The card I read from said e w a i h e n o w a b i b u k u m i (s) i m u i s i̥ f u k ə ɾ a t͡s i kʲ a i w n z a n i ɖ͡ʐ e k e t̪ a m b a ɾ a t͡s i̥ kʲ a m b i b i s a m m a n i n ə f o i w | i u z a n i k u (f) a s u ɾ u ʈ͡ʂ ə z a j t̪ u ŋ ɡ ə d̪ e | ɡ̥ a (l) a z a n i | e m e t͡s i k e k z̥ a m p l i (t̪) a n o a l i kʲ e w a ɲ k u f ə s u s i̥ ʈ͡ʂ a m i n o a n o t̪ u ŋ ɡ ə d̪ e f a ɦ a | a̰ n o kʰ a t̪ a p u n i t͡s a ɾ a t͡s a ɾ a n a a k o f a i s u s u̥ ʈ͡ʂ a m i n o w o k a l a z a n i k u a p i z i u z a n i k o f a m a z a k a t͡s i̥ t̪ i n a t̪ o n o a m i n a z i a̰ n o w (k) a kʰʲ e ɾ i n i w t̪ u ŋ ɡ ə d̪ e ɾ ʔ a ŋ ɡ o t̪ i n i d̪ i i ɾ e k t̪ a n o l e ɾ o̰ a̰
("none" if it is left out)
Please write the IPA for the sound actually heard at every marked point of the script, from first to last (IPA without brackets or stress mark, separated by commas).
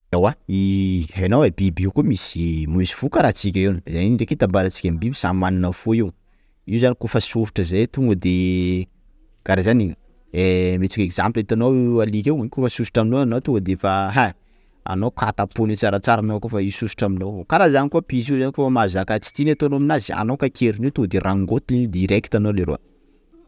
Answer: s, f, ɾ, t̪, k